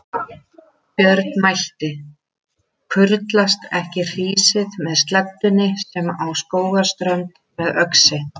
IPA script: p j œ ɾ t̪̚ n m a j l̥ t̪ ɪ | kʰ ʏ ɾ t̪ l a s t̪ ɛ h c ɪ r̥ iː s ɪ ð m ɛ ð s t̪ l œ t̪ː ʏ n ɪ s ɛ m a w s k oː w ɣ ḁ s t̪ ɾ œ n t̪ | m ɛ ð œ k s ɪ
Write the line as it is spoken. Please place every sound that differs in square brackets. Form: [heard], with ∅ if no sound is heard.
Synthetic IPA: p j œ ɾ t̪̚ n m a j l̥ t̪ ɪ | kʰ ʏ ɾ t̪ l a s t̪ ɛ h c ɪ r̥ iː s ɪ ð m ɛ ð s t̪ l [ɛ] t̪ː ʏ n ɪ s ɛ m a w s k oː w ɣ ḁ s t̪ ɾ œ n t̪ | m ɛ ð œ k s ɪ

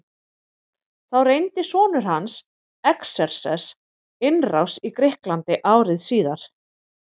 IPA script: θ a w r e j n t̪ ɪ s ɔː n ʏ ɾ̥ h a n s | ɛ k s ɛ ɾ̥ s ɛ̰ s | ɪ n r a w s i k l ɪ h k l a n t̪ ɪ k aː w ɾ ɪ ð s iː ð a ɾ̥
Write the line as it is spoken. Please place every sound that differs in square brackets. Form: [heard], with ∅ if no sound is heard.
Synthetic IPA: θ a w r e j n t̪ ɪ s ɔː n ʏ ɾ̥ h a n s | ɛ k s ɛ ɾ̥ s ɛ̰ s | ɪ n r a w s i k [ɾ] ɪ h k l a n t̪ ɪ [ʔ] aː w ɾ ɪ ð s iː ð a ɾ̥

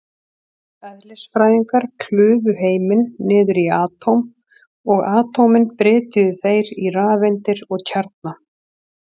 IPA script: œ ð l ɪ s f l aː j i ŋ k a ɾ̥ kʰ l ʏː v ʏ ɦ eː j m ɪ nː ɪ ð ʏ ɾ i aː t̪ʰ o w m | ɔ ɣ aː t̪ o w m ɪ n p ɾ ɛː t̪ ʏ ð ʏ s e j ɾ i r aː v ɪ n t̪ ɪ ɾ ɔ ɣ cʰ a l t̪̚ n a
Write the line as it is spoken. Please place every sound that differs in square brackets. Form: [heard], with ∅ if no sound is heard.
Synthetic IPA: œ ð l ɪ s f [ɾ] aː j i ŋ k a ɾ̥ kʰ l ʏː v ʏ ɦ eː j m ɪ nː [ɪː] ð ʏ ɾ i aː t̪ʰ o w m | ɔ ɣ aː t̪ o w m ɪ n p ɾ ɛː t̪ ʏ ð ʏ [θ] e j ɾ i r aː v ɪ n t̪ ɪ ɾ ɔ ɣ cʰ a [ɾ] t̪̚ n a

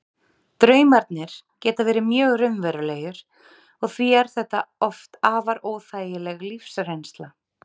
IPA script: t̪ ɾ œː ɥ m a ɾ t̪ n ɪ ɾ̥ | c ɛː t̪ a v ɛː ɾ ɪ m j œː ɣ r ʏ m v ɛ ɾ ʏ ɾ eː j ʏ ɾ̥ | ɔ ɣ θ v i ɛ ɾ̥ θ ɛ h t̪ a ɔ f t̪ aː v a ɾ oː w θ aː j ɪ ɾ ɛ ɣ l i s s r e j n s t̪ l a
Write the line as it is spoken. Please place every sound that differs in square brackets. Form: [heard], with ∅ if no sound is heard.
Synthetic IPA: t̪ ɾ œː ɥ m a ɾ t̪ n ɪ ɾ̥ | c ɛː t̪ a v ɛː ɾ ɪ m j œː ɣ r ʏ m v ɛ ɾ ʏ [l] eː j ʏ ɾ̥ | ɔ ɣ θ v i ɛ ɾ̥ θ ɛ h t̪ a ɔ f t̪ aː v a ɾ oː w θ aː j ɪ [l] ɛ ɣ l i [f] s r e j n s t̪ l a

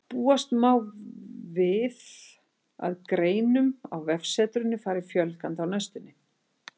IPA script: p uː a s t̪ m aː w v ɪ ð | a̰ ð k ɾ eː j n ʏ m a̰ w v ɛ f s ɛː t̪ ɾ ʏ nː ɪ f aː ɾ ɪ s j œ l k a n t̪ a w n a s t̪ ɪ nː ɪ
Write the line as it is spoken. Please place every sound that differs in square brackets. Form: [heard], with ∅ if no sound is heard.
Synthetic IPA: p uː a s t̪ m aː w v ɪ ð | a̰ ð k ɾ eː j n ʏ m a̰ w v ɛ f s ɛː t̪ ɾ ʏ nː ɪ f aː ɾ ɪ [f] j œ l k a n t̪ a w n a s t̪ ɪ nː ɪ

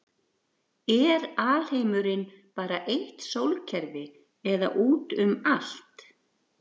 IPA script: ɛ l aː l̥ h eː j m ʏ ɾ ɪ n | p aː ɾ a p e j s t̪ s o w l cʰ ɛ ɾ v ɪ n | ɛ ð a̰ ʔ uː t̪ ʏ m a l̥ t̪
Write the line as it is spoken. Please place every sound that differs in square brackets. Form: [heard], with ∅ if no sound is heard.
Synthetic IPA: ɛ [ɾ] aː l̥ h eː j m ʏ ɾ ɪ n | p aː ɾ a [ʔ] e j [h] t̪ s o w l cʰ ɛ ɾ v ɪ [∅] | ɛ ð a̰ ʔ uː t̪ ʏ m a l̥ t̪

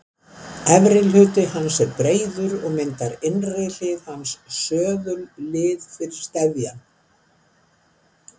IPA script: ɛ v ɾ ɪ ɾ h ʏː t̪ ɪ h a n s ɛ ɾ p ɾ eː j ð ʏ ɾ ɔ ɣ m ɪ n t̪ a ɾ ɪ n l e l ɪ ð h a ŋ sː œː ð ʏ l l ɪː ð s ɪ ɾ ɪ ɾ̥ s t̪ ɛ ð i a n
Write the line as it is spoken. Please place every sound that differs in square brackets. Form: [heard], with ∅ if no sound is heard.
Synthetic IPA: ɛ v ɾ ɪ [l] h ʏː t̪ ɪ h a n s ɛ ɾ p ɾ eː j ð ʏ ɾ ɔ ɣ m ɪ n t̪ a ɾ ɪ n [r] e l ɪ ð h a [n] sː œː ð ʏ l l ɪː ð [f] ɪ ɾ ɪ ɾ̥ s t̪ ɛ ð [j] a n

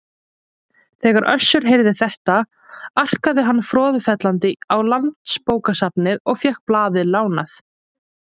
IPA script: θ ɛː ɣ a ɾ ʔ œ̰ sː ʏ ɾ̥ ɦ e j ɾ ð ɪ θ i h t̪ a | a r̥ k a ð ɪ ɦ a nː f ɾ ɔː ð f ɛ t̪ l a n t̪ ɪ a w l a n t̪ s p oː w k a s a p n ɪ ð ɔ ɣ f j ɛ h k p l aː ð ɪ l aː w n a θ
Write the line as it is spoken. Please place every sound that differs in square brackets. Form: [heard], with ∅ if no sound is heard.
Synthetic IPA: θ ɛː ɣ a ɾ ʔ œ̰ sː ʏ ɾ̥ ɦ e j ɾ ð ɪ θ [ɛ] h t̪ a | a r̥ k a ð ɪ ɦ a nː f ɾ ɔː ð f ɛ t̪ l a n t̪ ɪ a w l a n t̪ s p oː w k a s a p n ɪ ð ɔ ɣ f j ɛ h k p l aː ð ɪ l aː w n a θ

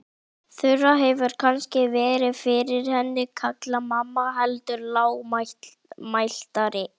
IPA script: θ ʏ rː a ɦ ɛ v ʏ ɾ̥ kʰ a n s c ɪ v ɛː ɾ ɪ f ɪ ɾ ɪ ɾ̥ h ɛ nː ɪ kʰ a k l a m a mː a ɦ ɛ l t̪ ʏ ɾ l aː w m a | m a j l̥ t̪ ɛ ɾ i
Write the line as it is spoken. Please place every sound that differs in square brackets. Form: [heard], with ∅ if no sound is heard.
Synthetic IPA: θ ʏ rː a ɦ ɛ v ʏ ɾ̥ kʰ a n s c ɪ v ɛː ɾ ɪ f ɪ ɾ ɪ ɾ̥ h ɛ nː ɪ kʰ a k l a m a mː a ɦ ɛ l t̪ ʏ ɾ l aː w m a | m a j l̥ t̪ [a] ɾ [ɪ]

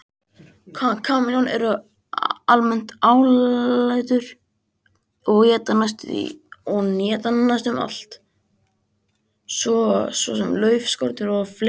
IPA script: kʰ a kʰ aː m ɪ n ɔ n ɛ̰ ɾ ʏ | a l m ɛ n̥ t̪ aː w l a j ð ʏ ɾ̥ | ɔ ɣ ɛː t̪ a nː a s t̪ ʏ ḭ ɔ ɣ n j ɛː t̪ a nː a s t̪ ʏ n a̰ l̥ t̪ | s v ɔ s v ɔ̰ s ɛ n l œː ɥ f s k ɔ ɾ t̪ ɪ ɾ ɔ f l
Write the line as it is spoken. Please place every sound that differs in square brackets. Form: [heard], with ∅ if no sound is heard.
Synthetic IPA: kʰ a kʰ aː m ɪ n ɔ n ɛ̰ ɾ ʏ | a l m ɛ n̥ t̪ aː w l a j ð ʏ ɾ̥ | ɔ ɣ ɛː t̪ a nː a s t̪ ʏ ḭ ɔ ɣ n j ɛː t̪ a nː a s t̪ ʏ [m] a̰ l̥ t̪ | s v ɔ s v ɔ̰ s ɛ [m] l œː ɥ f s k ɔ ɾ t̪ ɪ ɾ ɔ f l

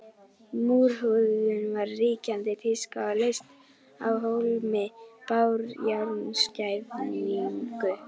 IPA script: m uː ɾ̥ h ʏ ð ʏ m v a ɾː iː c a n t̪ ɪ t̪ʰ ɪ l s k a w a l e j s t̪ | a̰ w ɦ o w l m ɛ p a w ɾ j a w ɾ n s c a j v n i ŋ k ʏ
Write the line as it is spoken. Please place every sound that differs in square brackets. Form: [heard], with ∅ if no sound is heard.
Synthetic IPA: m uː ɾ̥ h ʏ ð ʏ [n] v a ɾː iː c a n t̪ ɪ t̪ʰ ɪ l s k a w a l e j s t̪ | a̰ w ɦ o w l m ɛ p a w ɾ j a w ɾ n s c a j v n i ŋ k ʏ

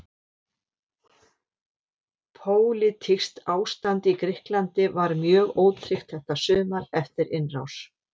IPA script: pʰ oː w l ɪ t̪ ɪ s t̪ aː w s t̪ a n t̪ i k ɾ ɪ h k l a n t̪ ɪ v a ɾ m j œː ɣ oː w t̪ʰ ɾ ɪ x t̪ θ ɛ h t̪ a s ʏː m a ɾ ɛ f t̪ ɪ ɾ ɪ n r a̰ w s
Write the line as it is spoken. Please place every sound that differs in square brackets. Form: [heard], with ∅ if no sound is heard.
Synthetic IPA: pʰ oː w l ɪ [t̪ʰ] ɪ s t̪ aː w s t̪ a n t̪ i k ɾ ɪ h k l a n t̪ ɪ v a ɾ m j œː ɣ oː w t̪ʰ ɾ ɪ x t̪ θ ɛ h t̪ a s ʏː m a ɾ ɛ f t̪ ɪ ɾ ɪ n r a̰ w s

